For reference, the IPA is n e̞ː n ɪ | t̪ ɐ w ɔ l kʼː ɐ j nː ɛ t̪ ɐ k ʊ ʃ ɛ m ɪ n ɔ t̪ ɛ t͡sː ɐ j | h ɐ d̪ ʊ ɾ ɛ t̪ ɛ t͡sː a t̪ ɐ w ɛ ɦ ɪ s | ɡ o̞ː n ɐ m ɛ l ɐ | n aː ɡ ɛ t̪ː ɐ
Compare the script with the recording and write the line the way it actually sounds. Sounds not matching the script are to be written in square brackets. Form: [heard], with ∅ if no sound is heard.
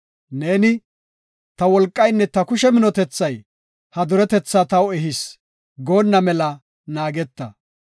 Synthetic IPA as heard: n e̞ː n ɪ | t̪ ɐ w ɔ l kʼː ɐ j nː ɛ t̪ ɐ k ʊ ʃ ɛ m ɪ n ɔ t̪ ɛ t͡sː ɐ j | h ɐ d̪ ʊ ɾ ɛ t̪ ɛ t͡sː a t̪ ɐ w ɛ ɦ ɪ s | ɡ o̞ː [nː] ɐ m ɛ l ɐ | n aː ɡ ɛ t̪ː ɐ